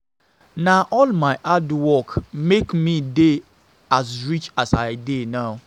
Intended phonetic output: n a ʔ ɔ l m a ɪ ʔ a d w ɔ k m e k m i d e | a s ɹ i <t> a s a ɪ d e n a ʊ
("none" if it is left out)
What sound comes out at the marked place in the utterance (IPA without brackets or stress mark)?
t͡ʃ